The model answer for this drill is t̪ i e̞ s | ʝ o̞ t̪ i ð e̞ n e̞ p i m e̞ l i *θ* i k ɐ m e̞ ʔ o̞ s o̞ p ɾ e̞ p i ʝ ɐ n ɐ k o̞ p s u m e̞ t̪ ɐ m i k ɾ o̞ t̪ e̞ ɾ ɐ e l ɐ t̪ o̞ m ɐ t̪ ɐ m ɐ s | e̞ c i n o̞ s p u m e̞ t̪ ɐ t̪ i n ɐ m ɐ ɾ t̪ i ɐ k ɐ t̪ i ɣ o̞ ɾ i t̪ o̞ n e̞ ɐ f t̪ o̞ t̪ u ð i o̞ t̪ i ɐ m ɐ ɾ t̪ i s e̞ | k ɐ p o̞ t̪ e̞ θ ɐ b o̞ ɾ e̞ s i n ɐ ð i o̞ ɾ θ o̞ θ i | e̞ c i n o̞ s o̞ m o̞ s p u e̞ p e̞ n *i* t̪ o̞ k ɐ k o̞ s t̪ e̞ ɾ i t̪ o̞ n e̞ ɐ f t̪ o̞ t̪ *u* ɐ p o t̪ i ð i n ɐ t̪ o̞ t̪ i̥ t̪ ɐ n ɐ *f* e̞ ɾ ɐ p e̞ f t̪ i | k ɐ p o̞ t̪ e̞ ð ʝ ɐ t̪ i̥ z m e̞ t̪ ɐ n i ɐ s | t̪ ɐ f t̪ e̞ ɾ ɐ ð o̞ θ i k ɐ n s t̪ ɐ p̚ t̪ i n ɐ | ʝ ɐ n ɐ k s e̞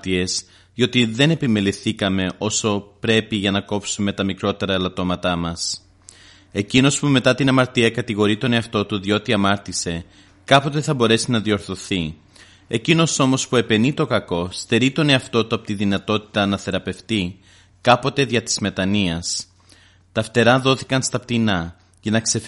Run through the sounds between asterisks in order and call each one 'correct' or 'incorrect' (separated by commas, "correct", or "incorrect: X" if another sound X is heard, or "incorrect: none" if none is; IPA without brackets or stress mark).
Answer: correct, correct, correct, incorrect: θ